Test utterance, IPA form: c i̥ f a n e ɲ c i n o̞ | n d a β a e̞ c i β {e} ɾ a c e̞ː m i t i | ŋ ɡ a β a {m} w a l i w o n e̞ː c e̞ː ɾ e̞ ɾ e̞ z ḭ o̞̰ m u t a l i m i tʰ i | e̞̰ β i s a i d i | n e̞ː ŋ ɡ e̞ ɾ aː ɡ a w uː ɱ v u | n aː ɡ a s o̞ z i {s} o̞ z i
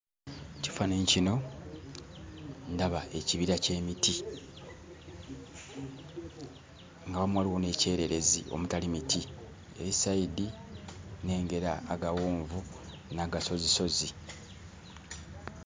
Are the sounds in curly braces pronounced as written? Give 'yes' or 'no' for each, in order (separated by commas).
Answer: no, yes, yes